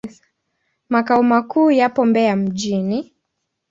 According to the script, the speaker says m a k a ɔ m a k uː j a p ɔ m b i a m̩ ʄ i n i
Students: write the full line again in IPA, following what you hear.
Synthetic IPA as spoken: m a k a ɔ m a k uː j a p ɔ m b ɛ a m̩ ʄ i n i